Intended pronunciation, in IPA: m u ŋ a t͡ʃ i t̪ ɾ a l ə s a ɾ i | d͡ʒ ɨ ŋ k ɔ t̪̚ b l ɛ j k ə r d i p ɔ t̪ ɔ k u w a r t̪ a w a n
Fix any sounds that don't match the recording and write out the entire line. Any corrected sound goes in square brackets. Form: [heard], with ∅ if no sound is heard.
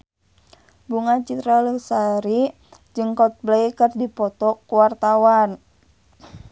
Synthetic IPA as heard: [b] u ŋ a t͡ʃ i t̪ ɾ a l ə s a ɾ i | d͡ʒ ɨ ŋ k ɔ t̪̚ b l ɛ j k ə r d i p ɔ t̪ ɔ k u w a r t̪ a w a n